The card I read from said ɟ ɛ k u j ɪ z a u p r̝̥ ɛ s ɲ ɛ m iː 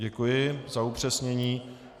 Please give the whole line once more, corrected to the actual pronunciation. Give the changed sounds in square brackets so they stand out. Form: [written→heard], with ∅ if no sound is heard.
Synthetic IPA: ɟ ɛ k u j ɪ z a u p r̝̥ ɛ s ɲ ɛ [m→ɲ] iː